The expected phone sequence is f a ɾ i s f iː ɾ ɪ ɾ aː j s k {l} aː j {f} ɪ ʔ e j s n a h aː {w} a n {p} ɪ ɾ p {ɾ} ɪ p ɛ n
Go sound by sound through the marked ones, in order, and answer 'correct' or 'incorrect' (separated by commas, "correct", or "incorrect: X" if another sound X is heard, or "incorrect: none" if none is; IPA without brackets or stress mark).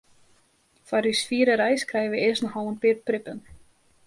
incorrect: ɾ, incorrect: v, correct, correct, correct